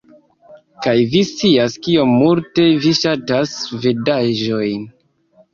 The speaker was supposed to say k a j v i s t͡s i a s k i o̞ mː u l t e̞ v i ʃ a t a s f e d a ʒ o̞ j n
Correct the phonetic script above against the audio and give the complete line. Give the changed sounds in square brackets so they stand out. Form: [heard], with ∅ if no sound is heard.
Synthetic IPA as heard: k a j v i s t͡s i a s k i o̞ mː u l t e̞ v i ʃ a t a s [v] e d a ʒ o̞ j n